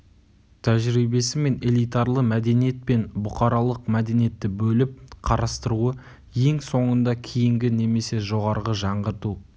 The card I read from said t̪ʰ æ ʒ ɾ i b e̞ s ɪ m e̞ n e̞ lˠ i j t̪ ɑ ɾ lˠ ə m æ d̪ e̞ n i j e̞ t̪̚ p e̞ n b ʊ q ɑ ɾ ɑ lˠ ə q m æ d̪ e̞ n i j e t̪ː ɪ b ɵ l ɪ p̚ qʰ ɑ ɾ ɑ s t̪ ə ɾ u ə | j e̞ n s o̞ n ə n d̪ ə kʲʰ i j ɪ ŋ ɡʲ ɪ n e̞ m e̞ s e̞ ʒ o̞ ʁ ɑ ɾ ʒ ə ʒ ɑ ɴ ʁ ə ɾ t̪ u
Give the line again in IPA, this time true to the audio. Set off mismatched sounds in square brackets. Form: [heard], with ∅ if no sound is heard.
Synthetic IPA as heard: t̪ʰ æ ʒ ɾ i b e̞ s ɪ m e̞ n e̞ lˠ i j t̪ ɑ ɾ lˠ ə m æ d̪ e̞ n i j e̞ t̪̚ p e̞ n b ʊ q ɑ ɾ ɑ lˠ ə q m æ d̪ e̞ n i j e t̪ː ɪ b ɵ l ɪ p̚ qʰ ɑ ɾ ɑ s t̪ ə ɾ u ə | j e̞ [ŋ] s o̞ [ɴ] ə n d̪ [ɑ] kʲʰ i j ɪ ŋ ɡʲ ɪ n e̞ m e̞ s e̞ ʒ o̞ ʁ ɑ ɾ [ʁ] ə ʒ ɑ ɴ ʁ ə ɾ t̪ u